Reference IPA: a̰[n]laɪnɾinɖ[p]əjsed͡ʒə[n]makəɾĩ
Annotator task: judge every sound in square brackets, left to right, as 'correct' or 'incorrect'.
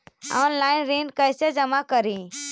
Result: correct, incorrect: k, incorrect: none

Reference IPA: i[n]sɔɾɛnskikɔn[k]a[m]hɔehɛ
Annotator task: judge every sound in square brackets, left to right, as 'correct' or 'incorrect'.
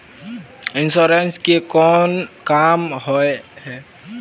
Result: correct, correct, correct

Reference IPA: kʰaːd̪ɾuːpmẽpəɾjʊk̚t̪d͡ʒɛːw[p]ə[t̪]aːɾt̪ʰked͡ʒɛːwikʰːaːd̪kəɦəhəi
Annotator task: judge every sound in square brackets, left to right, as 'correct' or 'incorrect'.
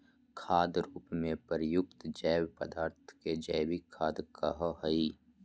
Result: correct, incorrect: d̪

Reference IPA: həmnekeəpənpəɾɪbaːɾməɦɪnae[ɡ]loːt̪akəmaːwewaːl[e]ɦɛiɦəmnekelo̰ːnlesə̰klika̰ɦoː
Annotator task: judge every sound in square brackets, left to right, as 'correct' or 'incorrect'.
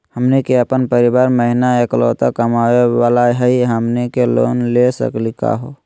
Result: incorrect: k, incorrect: a

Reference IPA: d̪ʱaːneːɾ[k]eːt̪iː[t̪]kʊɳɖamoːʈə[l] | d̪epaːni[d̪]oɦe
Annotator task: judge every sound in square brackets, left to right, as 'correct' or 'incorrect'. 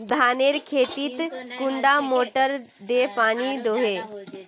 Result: incorrect: kʰ, correct, incorrect: ɾ, correct

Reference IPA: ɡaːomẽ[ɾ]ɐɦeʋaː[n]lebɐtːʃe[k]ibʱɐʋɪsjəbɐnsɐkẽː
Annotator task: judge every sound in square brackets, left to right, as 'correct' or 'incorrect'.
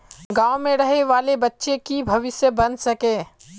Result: correct, incorrect: none, correct

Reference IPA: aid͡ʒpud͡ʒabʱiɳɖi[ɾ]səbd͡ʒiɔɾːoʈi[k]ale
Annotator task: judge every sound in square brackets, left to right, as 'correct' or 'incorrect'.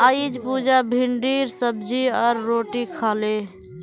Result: correct, incorrect: kʰ

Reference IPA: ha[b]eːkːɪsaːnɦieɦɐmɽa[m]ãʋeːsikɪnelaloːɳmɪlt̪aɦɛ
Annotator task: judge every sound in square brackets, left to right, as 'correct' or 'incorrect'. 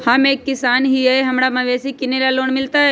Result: incorrect: m, correct

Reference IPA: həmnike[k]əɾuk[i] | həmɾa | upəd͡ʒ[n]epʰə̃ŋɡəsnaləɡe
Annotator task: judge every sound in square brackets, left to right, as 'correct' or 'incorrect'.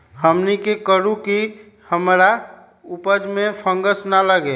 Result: correct, correct, incorrect: m

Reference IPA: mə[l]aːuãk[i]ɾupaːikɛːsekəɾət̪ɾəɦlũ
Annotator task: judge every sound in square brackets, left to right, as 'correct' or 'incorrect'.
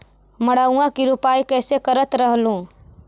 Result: incorrect: ɽ, correct

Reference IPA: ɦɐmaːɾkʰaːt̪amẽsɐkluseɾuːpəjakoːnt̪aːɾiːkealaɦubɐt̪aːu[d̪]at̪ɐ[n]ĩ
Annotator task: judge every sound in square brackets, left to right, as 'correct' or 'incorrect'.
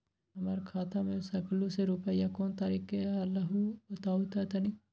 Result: incorrect: t̪, correct

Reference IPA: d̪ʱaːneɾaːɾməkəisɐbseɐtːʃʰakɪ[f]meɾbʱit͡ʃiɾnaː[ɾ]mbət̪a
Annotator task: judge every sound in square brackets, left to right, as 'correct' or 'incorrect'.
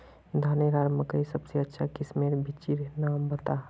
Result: incorrect: s, incorrect: none

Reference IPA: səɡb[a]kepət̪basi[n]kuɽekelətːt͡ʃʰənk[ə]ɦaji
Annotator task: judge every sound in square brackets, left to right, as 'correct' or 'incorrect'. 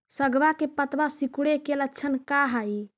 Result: correct, incorrect: none, incorrect: a

